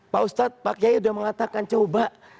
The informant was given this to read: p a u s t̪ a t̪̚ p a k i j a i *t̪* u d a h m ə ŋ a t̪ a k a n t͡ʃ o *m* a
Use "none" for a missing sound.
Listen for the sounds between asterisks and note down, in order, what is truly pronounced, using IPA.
none, b

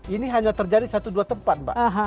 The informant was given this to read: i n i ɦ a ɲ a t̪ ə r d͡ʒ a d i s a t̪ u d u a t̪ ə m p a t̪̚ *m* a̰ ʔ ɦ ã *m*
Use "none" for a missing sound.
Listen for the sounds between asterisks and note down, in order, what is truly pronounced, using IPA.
b, none

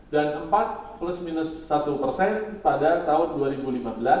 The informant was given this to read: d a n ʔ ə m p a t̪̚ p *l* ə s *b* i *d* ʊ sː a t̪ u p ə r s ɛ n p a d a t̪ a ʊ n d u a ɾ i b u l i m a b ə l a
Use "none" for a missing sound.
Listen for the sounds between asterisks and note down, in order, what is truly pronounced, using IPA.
l, m, n

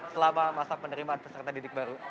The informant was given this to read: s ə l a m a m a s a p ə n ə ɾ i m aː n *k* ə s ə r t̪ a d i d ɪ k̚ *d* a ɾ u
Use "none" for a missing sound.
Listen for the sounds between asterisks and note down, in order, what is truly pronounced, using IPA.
p, b

